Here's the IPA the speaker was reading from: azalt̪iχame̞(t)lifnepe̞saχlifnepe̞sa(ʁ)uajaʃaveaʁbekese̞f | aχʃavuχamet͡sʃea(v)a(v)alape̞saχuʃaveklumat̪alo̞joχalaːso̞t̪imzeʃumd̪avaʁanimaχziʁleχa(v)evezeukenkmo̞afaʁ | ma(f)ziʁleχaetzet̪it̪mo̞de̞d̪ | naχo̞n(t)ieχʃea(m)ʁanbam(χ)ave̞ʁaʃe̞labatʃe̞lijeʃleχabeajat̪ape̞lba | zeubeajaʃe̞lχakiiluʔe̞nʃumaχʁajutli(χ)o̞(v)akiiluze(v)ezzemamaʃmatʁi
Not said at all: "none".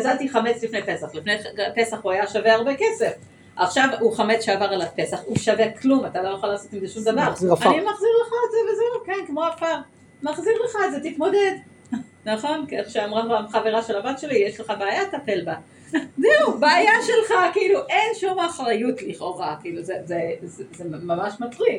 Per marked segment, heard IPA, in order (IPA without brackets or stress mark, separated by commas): t͡s, χ, v, ʁ, z, χ, k, m, χ, χ, ʁ, z